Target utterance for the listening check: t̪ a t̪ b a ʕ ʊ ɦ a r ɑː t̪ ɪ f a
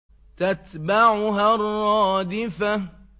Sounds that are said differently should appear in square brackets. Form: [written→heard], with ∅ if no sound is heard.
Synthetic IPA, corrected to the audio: t̪ a t̪ b a ʕ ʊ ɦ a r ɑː [t̪→d̪] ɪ f a